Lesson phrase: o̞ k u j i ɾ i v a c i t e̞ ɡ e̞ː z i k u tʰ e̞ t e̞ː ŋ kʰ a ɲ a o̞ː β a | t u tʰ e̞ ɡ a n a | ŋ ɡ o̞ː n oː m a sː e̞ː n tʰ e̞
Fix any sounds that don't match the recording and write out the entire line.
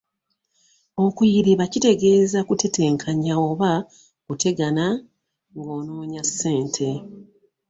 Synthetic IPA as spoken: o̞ k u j i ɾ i β a c i t e̞ ɡ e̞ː z a k u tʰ e̞ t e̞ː ŋ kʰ a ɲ a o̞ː β a | k u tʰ e̞ ɡ a n a | ŋ ɡ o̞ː n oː ɲ a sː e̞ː n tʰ e̞